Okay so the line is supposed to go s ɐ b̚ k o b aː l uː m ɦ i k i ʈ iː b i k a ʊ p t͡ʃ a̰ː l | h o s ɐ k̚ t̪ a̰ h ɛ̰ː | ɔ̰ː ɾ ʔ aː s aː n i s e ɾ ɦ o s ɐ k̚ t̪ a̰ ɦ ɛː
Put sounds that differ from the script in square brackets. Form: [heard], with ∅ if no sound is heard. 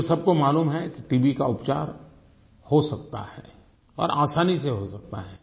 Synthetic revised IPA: s ɐ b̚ k o [m] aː l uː m ɦ [ɛ] k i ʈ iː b i k a ʊ p t͡ʃ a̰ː [ɾ] | h o s ɐ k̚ t̪ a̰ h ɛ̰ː | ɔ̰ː ɾ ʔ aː s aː n i s e [∅] ɦ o s ɐ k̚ t̪ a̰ ɦ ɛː